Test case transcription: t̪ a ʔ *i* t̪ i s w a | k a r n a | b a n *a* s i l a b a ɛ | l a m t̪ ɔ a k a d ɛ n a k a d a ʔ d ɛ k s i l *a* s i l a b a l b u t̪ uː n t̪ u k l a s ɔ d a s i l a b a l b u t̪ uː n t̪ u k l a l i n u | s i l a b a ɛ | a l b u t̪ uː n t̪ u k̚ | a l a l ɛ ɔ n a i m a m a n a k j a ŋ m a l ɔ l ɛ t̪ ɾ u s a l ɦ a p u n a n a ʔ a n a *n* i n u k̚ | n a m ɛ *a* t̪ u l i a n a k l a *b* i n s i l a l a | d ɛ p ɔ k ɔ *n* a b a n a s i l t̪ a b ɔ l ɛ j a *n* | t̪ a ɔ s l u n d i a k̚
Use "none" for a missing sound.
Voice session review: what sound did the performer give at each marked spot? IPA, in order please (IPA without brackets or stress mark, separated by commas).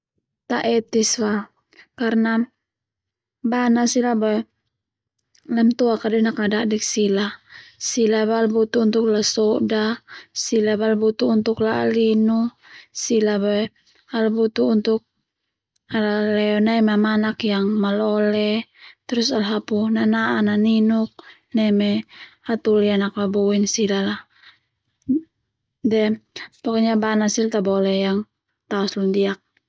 ɛ, a, a, n, a, b, ɲ, ŋ